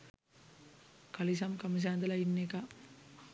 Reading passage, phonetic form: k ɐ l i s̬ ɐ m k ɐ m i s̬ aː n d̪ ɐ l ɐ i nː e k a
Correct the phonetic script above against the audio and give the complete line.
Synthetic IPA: k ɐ l i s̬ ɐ m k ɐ m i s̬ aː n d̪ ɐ l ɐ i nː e k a